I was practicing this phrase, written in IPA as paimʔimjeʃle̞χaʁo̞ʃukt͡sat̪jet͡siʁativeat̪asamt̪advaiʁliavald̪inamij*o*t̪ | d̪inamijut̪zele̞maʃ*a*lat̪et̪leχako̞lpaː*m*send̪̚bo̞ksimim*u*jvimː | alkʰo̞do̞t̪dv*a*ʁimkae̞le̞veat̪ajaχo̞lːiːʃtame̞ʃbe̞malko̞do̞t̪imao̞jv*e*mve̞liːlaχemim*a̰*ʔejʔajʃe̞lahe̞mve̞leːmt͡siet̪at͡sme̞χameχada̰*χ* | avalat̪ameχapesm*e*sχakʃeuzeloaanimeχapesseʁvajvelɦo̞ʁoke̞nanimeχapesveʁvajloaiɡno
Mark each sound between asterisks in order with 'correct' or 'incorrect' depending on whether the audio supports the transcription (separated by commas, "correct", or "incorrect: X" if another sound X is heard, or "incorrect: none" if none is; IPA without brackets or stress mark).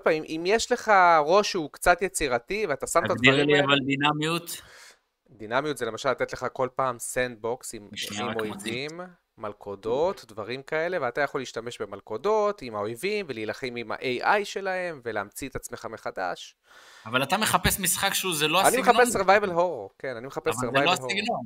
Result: incorrect: u, correct, correct, incorrect: o, correct, incorrect: i, correct, incorrect: ʃ, incorrect: i